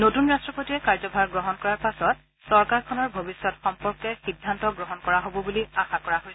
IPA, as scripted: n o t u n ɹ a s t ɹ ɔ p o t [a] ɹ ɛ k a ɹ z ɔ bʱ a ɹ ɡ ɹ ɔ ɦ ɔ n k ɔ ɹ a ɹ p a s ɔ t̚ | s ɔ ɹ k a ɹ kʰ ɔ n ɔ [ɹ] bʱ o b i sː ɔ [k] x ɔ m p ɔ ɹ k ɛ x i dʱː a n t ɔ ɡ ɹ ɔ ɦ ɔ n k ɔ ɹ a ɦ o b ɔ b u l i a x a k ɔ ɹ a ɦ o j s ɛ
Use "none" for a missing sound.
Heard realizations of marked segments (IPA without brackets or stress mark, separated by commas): i, ɹ, t